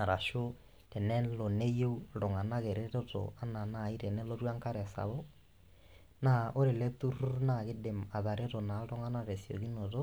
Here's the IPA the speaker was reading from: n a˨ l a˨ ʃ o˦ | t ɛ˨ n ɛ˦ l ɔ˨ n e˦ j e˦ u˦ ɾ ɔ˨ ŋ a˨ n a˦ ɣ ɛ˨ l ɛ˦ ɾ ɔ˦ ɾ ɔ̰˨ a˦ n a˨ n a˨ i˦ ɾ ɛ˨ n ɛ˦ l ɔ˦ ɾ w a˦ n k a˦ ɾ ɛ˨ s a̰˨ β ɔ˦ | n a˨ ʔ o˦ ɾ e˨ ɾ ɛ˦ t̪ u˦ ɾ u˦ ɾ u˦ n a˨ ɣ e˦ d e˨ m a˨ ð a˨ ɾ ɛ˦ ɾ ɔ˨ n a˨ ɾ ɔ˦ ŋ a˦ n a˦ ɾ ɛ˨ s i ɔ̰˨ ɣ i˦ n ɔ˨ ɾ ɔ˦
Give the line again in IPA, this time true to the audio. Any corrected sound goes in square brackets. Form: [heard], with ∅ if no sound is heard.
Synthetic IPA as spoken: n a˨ [ɾ] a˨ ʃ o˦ | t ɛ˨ n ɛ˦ l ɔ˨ n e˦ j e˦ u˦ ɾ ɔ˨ ŋ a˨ n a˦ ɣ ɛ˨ [ɾ] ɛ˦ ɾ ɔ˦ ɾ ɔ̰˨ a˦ n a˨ n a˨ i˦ ɾ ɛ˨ n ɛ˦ l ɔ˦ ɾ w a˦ [ŋ] k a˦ ɾ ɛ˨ s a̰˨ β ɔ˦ | n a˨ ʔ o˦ ɾ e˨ [l] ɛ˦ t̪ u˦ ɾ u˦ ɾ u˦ n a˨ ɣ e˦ d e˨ m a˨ ð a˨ ɾ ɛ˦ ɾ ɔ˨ n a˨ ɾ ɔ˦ ŋ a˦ n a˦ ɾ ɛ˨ s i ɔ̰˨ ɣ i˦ n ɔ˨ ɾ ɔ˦